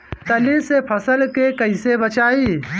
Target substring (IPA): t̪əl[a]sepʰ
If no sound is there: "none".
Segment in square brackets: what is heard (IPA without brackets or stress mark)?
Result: i